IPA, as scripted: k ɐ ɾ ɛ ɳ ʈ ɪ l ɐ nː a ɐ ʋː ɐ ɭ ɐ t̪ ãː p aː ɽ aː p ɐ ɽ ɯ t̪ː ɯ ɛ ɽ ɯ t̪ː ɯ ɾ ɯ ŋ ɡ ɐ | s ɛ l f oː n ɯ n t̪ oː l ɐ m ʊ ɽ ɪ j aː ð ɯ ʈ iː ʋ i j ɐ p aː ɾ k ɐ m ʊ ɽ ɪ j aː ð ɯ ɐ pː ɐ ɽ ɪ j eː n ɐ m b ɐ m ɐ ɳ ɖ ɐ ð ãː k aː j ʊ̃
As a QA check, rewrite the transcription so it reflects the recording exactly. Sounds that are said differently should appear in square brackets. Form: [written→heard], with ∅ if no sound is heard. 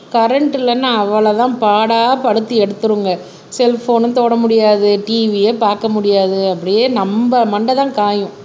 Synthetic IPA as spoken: k ɐ ɾ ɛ ɳ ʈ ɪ l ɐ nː a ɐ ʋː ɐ ɭ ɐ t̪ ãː p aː ɽ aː p ɐ ɽ ɯ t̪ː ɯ ɛ ɽ ɯ t̪ː ɯ ɾ ɯ ŋ ɡ ɐ | s ɛ l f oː n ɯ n t̪ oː [l→ɽ] ɐ m ʊ ɽ ɪ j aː ð ɯ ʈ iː ʋ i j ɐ p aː ɾ k ɐ m ʊ ɽ ɪ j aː ð ɯ ɐ pː ɐ ɽ ɪ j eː n ɐ m b ɐ m ɐ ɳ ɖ ɐ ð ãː k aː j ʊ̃

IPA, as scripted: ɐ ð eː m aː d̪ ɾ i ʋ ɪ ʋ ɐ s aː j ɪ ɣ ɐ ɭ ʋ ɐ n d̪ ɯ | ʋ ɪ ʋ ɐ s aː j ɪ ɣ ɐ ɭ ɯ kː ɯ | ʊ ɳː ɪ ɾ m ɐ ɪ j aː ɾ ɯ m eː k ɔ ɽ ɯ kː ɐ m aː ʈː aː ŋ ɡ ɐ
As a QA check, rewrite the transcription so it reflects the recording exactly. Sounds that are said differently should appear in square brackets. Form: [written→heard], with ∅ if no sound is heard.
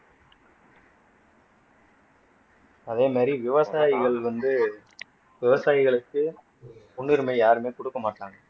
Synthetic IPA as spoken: ɐ ð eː m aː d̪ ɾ i ʋ ɪ ʋ ɐ s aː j ɪ ɣ ɐ ɭ ʋ ɐ n d̪ ɯ | ʋ ɪ ʋ ɐ s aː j ɪ ɣ ɐ ɭ ɯ kː ɯ | ʊ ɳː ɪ ɾ m ɐ ɪ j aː ɾ ɯ m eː k ɔ ɽ ɯ kː ɐ m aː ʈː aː ŋ ɡ ɐ

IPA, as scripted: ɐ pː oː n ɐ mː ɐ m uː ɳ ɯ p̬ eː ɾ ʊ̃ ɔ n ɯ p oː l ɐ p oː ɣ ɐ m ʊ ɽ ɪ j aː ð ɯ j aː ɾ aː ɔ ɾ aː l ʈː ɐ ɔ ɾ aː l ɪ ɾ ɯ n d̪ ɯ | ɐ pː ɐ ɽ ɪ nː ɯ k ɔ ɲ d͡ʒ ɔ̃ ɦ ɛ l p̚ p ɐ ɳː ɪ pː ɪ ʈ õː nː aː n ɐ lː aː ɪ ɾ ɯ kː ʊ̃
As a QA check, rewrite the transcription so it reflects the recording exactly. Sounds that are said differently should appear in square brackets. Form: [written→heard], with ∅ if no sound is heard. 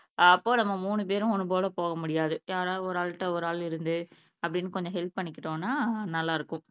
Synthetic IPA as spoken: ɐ pː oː n ɐ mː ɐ m uː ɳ ɯ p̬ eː ɾ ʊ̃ ɔ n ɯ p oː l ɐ p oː ɣ ɐ m ʊ ɽ ɪ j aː ð ɯ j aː ɾ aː ɔ ɾ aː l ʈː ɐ ɔ ɾ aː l ɪ ɾ ɯ n d̪ ɯ | ɐ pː ɐ ɽ ɪ nː ɯ k ɔ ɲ d͡ʒ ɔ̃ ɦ ɛ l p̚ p ɐ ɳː ɪ [pː→kː] ɪ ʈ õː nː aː n ɐ lː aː ɪ ɾ ɯ kː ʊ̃

